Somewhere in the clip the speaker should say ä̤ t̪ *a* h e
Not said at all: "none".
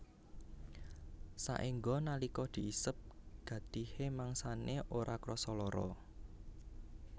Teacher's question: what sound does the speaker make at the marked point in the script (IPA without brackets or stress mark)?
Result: i